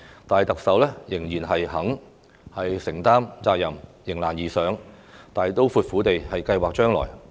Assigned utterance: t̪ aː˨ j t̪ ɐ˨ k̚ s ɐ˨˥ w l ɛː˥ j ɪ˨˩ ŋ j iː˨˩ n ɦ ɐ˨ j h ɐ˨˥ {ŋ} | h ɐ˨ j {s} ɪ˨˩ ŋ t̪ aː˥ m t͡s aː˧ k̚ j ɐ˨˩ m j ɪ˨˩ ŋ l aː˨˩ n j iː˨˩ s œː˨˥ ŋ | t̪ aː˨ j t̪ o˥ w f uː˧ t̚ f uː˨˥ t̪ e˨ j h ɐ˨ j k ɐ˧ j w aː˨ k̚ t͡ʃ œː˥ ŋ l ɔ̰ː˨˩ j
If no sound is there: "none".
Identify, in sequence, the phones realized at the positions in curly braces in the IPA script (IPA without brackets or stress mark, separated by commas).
ŋ, s